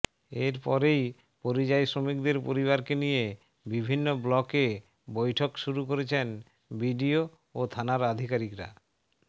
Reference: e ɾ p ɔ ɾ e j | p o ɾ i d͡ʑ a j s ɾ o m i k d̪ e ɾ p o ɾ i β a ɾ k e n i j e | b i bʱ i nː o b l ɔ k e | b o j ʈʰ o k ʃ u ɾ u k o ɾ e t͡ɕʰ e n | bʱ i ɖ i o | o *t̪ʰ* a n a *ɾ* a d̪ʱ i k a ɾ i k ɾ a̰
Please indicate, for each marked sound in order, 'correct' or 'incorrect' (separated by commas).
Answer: correct, correct